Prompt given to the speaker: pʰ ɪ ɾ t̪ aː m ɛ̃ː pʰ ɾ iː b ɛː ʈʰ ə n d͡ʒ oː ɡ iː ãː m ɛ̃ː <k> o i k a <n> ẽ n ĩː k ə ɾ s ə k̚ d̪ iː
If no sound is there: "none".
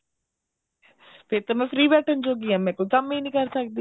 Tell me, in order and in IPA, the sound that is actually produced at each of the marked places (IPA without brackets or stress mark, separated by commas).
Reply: k, m